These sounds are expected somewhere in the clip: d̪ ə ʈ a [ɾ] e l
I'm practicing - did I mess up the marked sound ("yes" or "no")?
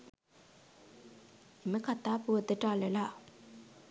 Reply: yes